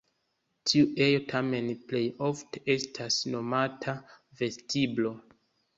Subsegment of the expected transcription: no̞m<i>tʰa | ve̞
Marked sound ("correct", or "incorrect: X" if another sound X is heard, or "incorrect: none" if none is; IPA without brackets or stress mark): incorrect: a